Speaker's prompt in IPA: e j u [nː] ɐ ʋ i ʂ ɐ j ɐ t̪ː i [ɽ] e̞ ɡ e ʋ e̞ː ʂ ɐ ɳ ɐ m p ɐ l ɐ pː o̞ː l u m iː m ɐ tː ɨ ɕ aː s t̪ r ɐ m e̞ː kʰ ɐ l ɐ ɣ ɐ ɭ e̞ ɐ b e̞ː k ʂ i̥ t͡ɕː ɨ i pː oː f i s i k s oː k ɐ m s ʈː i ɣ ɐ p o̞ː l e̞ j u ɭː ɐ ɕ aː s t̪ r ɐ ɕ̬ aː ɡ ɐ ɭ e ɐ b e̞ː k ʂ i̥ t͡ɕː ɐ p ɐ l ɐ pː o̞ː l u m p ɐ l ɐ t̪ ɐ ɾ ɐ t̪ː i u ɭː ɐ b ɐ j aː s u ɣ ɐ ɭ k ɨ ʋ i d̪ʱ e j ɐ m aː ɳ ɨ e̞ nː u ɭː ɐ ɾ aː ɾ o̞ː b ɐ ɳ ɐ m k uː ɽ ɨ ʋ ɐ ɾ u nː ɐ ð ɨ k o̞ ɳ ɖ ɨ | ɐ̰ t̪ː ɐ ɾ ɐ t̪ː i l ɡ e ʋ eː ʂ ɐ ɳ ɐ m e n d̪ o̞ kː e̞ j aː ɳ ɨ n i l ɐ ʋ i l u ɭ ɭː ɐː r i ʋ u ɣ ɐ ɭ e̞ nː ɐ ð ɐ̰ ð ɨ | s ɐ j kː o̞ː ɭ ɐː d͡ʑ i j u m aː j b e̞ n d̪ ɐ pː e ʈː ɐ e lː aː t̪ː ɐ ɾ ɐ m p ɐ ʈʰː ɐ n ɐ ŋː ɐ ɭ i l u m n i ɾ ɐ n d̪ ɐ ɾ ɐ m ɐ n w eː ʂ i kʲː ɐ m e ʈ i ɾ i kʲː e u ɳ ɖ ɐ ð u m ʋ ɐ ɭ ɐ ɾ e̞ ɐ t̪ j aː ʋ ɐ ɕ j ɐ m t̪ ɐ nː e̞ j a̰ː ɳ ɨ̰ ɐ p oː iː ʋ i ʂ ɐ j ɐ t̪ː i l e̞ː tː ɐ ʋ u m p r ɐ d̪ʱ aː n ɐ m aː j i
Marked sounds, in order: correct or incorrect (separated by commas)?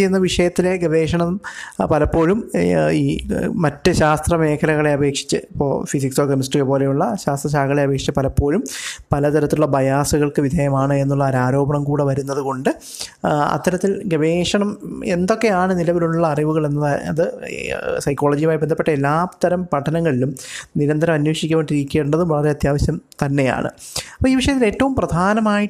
correct, incorrect